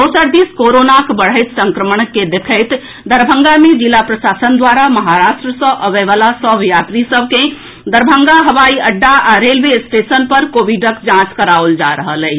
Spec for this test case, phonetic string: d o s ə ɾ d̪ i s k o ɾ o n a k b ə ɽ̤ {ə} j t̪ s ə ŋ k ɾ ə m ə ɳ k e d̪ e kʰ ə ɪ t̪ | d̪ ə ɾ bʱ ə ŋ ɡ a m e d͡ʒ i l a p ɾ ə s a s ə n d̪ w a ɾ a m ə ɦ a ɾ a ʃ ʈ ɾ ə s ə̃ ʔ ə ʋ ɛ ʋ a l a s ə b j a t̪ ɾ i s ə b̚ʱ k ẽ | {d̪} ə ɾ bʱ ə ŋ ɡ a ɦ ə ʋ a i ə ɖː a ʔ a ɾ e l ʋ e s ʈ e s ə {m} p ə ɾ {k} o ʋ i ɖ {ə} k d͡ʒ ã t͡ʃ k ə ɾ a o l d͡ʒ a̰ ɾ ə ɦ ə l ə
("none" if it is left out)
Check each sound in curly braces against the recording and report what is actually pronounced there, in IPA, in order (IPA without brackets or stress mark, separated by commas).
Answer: ə, d̪, n, k, ə